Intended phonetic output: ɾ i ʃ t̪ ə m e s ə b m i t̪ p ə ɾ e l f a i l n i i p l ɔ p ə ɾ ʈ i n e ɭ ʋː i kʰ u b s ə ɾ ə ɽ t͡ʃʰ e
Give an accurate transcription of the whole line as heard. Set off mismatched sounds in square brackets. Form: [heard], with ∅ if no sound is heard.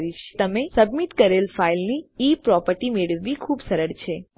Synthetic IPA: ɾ i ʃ t̪ ə m e s ə b m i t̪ [k] ə ɾ e l f a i l n i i p [ɾ] ɔ p ə ɾ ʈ i [m] e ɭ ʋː i kʰ u b s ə ɾ ə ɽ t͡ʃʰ e